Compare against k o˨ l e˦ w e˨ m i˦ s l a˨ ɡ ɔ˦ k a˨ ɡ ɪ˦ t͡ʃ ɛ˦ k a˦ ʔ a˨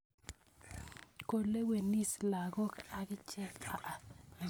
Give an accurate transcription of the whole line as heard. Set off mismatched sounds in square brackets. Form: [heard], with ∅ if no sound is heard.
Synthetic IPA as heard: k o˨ l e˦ w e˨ [n] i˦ s l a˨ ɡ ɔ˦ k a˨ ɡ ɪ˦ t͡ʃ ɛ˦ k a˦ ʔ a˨